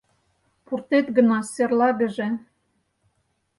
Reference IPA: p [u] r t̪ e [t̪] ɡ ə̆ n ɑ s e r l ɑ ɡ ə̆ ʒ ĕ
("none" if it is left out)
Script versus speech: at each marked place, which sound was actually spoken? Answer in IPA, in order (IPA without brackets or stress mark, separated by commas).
u, t̪